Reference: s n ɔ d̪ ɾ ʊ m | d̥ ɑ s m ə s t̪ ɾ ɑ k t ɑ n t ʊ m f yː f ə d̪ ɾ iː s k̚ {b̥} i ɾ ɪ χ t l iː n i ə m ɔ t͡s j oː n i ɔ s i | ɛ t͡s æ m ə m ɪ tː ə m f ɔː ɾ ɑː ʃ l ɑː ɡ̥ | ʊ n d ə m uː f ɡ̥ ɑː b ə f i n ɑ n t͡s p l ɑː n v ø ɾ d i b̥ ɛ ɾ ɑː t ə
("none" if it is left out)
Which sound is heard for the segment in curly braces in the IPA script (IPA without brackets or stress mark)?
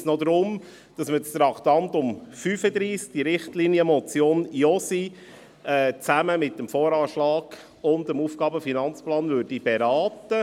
d̥